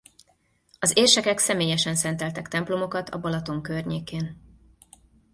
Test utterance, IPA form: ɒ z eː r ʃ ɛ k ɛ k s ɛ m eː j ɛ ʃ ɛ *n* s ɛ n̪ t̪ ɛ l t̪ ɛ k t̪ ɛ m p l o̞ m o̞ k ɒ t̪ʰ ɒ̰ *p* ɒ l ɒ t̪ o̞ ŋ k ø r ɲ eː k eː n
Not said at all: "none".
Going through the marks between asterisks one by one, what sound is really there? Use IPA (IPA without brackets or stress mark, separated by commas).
n, b